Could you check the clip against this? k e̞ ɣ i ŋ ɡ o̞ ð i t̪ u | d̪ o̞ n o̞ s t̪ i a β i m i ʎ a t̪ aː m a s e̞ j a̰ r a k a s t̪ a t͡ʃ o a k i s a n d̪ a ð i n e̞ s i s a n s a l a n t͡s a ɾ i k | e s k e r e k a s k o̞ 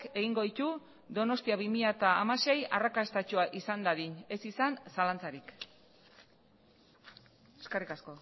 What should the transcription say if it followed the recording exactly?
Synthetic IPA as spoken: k e̞ ɣ i ŋ ɡ o̞ ð i t̪ u | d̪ o̞ n o̞ s t̪ i a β i m i ʎ a t̪ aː m a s e̞ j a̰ r a k a s t̪ a t͡ʃ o a ʔ i s a n d̪ a ð i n e̞ s i s a n s a l a n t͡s a ɾ i k | e s k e r i k a s k o̞

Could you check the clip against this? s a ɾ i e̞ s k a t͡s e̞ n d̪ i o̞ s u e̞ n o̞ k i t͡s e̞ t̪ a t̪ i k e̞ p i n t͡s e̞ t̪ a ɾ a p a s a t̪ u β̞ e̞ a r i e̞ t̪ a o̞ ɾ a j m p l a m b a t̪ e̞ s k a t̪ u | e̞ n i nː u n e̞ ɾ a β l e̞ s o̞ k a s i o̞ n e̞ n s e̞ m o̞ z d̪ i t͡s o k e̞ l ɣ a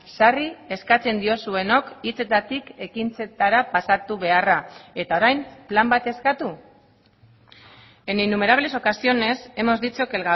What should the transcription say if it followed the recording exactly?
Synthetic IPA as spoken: s a r i e̞ s k a t͡s e̞ n d̪ i o̞ s u e̞ n o̞ k i t͡s e̞ t̪ a t̪ i k e̞ k i n t͡s e̞ t̪ a ɾ a p a s a t̪ u β̞ e̞ a r a e̞ t̪ a o̞ ɾ a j m p l a m b a t̪ e̞ s k a t̪ u | e̞ n i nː u m e̞ ɾ a β l e̞ s o̞ k a s i o̞ n e̞ s e̞ m o̞ z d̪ i t͡s o k e̞ l ɣ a

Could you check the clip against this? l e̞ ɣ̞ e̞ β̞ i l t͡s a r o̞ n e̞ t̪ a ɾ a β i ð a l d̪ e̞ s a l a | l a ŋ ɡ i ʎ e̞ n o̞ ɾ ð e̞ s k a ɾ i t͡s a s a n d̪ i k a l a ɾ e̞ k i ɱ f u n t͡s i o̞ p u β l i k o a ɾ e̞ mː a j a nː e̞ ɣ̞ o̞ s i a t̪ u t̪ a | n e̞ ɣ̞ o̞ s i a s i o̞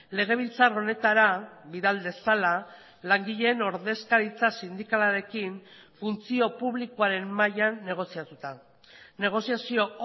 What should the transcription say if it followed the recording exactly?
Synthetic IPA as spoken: l e̞ ɣ̞ e̞ β̞ i l t͡s a r o̞ n e̞ t̪ a ɾ a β i ð a l d̪ e̞ s a l a | l a ŋ ɡ i ʎ e̞ n o̞ ɾ ð e̞ s k a ɾ i t͡s a s i n d̪ i k a l a ɾ e̞ k i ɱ f u n t͡s i o̞ p u β l i k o a ɾ e̞ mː a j a nː e̞ ɣ̞ o̞ s i a t̪ u t̪ a | n e̞ ɣ̞ o̞ s i a s i o̞

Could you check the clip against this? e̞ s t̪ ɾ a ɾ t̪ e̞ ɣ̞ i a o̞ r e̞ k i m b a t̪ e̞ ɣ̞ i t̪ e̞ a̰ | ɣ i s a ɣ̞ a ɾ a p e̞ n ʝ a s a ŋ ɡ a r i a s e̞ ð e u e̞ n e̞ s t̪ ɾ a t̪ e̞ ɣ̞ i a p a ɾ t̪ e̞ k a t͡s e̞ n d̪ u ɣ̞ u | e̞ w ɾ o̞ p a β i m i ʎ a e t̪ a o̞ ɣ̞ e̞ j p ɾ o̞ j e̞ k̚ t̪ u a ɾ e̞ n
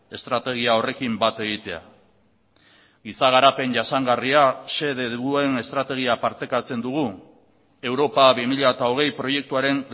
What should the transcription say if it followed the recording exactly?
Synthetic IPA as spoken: e̞ s t̪ ɾ a t̪ e̞ ɣ̞ i a o̞ r e̞ k i m b a t̪ e̞ ɣ̞ i t̪ e̞ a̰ | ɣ i s a ɣ̞ a ɾ a p e̞ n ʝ a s a ŋ ɡ a r i a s e̞ ð e u e̞ n e̞ s t̪ ɾ a t̪ e̞ ɣ̞ i a p a ɾ t̪ e̞ k a t͡s e̞ n d̪ u ɣ̞ u | e̞ w ɾ o̞ p a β i m i ʎ a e t̪ a o̞ ɣ̞ e̞ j p ɾ o̞ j e̞ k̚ t̪ u a ɾ e̞ n

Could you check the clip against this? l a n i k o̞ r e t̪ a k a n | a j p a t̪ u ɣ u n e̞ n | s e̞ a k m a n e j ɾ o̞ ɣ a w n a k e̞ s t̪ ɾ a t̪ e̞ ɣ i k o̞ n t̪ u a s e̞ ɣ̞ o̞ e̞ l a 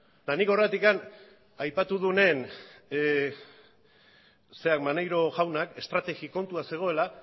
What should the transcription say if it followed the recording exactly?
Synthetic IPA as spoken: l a n i k o̞ r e t̪ i k a n | a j p a t̪ u ð u n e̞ n | s e̞ a k m a n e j ɾ o̞ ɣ a w n a k e̞ s t̪ ɾ a t̪ e̞ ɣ i k o̞ n t̪ u a s e̞ ɣ̞ o̞ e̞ l a

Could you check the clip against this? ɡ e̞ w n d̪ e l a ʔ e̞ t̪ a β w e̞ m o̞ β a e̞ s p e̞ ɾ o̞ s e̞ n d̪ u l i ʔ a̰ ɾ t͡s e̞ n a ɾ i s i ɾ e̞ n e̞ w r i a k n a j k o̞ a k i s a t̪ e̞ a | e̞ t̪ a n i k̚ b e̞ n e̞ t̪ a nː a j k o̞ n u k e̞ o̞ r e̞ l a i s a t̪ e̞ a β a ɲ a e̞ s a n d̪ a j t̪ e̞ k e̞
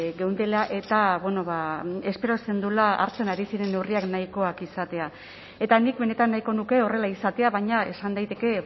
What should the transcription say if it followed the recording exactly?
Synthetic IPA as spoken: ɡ e̞ w n d̪ e l a ʔ e̞ t̪ a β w e̞ n o̞ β a e̞ s p e̞ ɾ o̞ s e̞ n d̪ u l a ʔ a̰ ɾ t͡s e̞ n a ɾ i s i ɾ e̞ n e̞ w r i a k n a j k o̞ a k i s a t̪ e̞ a | e̞ t̪ a n i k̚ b e̞ n e̞ t̪ a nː a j k o̞ n u k e̞ o̞ r e̞ l a i s a t̪ e̞ a β a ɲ a e̞ s a n d̪ a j t̪ e̞ k e̞

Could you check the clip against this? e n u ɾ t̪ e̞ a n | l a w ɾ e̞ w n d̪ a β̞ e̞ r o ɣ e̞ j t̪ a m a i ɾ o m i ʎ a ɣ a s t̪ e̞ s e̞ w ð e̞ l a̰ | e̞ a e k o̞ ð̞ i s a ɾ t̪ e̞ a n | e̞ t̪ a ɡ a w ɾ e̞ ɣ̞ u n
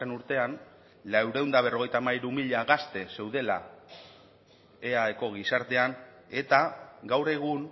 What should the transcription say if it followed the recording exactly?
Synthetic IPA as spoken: e n u ɾ t̪ e̞ a n | l a w ɾ e̞ w n d̪ a β̞ e̞ r o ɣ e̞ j t̪ a m a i ɾ u m i ʎ a ɣ a s t̪ e̞ s e̞ w ð e̞ l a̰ | e̞ a e k o̞ ɣ̞ i s a ɾ t̪ e̞ a n | e̞ t̪ a ɡ a w ɾ e̞ ɣ̞ u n

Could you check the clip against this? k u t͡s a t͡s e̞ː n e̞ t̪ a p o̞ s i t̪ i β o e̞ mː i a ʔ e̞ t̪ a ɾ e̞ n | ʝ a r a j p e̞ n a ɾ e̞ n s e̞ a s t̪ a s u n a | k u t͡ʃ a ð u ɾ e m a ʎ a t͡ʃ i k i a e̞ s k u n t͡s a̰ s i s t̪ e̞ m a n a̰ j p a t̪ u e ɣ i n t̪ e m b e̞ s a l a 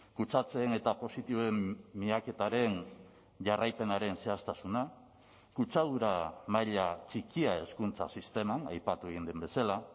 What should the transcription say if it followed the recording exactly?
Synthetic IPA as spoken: k u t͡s a t͡s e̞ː n e̞ t̪ a p o̞ s i t̪ i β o e̞ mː i a k e̞ t̪ a ɾ e̞ n | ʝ a r a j p e̞ n a ɾ e̞ n s e̞ a s t̪ a s u n a | k u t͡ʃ a ð u ɾ a m a ʎ a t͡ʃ i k i a e̞ s k u n t͡s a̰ s i s t̪ e̞ m a n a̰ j p a t̪ u e ɣ i n d̪ e m b e̞ s a l a

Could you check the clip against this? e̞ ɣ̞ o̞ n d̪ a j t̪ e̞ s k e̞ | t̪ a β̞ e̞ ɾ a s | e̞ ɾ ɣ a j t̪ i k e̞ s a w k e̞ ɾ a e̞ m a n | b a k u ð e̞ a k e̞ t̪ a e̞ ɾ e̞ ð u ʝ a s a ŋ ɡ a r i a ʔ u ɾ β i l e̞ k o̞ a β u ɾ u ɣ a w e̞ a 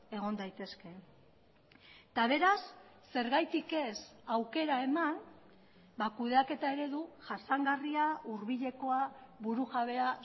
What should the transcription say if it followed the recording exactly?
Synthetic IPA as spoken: e̞ ɣ̞ o̞ n d̪ a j t̪ e̞ s k e̞ | t̪ a β̞ e̞ ɾ a sː | e̞ ɾ ɣ a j t̪ i k e̞ s a w k e̞ ɾ a e̞ m a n | b a k u ð e̞ a k e̞ t̪ a e̞ ɾ e̞ ð u ʝ a s a ŋ ɡ a r i a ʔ u ɾ β i ʎ e̞ k o̞ a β u ɾ u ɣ a β e̞ a

